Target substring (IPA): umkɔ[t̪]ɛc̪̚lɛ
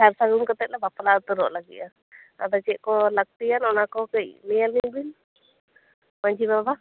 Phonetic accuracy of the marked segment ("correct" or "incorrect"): correct